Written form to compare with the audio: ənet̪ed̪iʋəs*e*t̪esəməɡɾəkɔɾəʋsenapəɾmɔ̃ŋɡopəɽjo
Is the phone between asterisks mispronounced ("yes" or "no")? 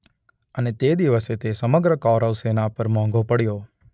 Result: no